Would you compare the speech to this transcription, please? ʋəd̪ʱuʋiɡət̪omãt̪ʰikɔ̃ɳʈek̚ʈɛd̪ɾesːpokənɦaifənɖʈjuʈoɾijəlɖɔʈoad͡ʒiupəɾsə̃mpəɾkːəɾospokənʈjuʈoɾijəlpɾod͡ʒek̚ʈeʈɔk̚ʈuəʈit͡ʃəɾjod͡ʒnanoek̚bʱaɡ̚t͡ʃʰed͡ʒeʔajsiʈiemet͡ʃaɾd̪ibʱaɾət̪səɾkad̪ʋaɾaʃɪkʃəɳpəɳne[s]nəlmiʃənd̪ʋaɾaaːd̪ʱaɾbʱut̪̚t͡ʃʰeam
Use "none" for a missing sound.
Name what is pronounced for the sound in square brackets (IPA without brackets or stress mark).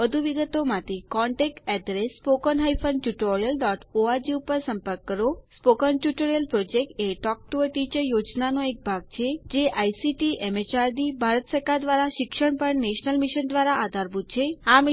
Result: ʃ